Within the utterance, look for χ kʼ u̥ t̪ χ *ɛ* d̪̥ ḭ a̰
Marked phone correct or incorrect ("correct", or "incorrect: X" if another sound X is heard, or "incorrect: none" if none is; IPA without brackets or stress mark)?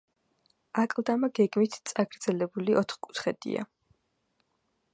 correct